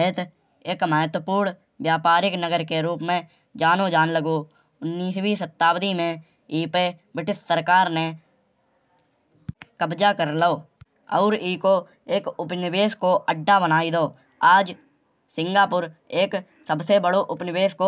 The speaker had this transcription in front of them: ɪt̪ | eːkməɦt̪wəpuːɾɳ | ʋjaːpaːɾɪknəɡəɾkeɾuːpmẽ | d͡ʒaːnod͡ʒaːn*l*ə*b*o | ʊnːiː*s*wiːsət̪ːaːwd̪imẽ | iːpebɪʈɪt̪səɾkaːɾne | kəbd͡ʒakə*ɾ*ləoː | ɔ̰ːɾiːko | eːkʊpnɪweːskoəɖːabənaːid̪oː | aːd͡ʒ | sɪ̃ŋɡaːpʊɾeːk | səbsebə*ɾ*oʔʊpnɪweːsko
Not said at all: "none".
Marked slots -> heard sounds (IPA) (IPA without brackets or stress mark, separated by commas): l, ɡ, s, ɾ, ɽ